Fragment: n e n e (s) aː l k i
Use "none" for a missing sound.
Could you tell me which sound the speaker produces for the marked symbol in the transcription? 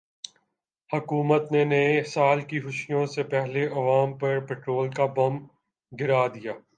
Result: s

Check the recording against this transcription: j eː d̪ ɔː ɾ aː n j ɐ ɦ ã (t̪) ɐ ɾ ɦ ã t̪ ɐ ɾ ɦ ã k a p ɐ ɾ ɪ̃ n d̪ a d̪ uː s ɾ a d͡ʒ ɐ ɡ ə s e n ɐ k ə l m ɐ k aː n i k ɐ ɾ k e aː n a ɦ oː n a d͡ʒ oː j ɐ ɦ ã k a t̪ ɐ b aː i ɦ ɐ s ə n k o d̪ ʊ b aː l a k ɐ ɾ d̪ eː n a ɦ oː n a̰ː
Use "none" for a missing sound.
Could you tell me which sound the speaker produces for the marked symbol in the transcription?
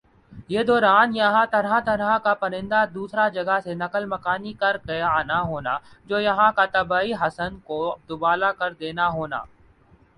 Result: t̪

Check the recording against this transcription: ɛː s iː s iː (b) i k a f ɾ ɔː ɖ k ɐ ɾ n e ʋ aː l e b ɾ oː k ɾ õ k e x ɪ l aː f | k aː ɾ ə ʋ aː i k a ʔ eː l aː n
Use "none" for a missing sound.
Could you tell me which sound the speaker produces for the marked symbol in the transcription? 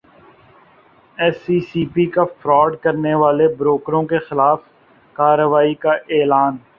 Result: p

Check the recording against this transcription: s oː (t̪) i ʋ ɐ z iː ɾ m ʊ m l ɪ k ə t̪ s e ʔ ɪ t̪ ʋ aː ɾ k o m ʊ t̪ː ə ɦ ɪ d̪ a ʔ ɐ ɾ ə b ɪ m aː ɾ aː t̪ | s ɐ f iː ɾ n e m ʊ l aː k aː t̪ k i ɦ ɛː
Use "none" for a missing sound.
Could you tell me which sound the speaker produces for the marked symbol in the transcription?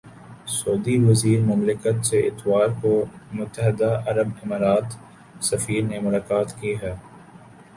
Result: d̪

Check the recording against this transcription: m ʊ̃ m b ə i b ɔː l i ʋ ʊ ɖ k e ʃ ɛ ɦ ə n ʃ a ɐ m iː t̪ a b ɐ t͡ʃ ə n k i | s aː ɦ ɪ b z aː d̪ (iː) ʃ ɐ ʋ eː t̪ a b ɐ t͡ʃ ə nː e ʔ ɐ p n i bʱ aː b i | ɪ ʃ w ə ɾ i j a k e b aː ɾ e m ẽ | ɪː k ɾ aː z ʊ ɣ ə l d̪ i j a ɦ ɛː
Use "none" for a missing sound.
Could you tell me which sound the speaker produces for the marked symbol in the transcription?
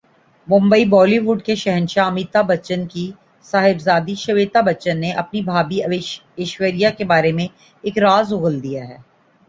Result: i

